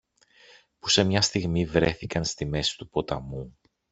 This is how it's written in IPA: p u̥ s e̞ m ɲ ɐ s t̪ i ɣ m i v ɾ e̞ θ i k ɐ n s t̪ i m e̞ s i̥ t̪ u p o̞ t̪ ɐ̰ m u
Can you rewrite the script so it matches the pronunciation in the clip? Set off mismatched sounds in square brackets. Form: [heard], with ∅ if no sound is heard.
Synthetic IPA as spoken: p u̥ s e̞ m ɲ ɐ s t̪ i ɣ m i v ɾ e̞ θ i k ɐ n s t̪ i m e̞ s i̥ t̪ u p o̞ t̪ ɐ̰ m u